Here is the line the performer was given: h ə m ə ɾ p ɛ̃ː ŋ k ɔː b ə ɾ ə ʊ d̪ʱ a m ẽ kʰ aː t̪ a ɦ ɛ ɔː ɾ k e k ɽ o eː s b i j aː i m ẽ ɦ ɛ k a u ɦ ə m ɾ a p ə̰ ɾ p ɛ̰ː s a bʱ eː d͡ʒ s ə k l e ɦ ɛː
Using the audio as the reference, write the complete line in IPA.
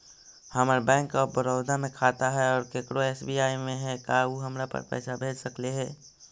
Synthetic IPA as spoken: h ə m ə ɾ b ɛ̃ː ŋ k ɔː b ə ɾ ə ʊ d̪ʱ a m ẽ kʰ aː t̪ a ɦ ɛ ɔː ɾ k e k ɽ o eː s b i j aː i m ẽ ɦ ɛ k a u ɦ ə m ɾ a p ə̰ ɾ p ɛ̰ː s a bʱ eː d͡ʒ s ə k l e ɦ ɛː